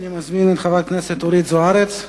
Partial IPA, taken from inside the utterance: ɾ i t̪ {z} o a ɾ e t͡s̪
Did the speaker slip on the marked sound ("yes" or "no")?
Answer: no